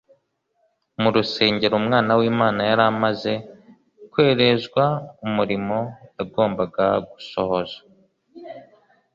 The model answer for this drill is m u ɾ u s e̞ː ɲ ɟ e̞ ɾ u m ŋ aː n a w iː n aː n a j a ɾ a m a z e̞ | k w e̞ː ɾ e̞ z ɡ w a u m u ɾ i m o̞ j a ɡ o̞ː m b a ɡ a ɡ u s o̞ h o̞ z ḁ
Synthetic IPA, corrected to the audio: m u ɾ u s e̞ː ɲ ɟ e̞ ɾ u m ŋ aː n a w iː m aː n a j a ɾ a m a z e̞ | k w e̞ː ɾ e̞ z ɡ w a u m u ɾ i m o̞ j a ɡ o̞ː m b a ɡ a ɡ u s o̞ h o̞ z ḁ